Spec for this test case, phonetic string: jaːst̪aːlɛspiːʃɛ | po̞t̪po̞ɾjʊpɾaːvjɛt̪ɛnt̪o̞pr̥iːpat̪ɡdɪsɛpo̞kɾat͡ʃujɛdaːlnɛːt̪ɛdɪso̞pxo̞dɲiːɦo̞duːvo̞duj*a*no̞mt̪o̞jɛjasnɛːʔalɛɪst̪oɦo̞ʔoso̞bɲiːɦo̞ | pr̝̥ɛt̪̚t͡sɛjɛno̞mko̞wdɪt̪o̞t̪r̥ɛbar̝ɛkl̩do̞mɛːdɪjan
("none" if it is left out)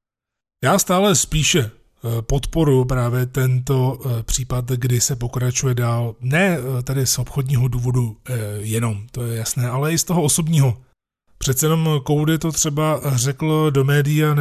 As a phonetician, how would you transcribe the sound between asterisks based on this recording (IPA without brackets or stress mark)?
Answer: ɛ